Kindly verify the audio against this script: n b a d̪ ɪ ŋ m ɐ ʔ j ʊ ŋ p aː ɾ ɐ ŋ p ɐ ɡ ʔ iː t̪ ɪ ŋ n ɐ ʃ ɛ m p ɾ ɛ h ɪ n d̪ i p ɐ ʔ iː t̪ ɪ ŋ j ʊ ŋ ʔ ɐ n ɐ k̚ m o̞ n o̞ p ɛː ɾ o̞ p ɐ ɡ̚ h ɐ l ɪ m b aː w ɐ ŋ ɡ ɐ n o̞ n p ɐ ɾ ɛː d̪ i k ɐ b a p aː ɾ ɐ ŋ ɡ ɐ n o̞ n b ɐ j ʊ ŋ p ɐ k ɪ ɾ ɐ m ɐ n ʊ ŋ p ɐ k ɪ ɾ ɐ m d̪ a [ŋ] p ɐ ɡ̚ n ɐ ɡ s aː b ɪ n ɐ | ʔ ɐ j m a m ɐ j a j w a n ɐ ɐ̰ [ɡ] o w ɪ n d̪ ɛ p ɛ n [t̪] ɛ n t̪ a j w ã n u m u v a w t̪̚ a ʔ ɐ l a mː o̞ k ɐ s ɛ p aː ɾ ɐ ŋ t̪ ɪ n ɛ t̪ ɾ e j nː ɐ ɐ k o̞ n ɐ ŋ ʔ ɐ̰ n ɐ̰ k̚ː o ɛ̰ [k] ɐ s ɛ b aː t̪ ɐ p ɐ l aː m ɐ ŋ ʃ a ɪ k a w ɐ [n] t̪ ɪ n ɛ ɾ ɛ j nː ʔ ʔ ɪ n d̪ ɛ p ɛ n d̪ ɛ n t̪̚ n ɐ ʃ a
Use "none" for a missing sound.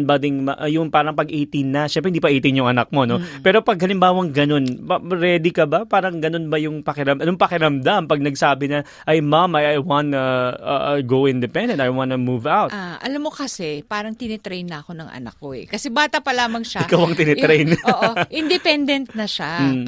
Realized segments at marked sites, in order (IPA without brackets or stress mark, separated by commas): m, ɡ, d̪, k, ŋ